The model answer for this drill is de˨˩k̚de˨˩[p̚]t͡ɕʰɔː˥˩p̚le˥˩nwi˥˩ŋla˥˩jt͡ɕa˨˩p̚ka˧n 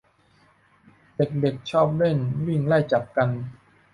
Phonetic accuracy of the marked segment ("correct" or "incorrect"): incorrect